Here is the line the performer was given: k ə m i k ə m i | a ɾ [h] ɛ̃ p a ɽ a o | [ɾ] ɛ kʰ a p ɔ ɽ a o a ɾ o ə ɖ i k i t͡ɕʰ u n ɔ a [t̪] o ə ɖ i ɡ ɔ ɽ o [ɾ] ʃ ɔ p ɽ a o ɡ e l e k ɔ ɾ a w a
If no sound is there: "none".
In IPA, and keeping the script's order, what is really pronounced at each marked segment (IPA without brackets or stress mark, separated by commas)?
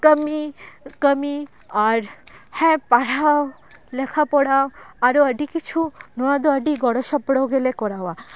h, l, d̪, none